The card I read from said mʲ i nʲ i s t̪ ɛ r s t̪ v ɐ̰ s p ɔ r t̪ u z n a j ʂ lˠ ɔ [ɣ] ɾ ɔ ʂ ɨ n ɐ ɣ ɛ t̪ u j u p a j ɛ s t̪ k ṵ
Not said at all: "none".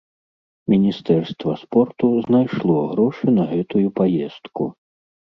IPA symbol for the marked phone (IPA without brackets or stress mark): ɣ